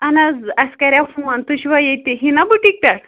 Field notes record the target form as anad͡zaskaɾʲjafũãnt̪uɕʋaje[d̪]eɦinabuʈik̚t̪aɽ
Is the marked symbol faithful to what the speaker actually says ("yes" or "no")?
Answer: no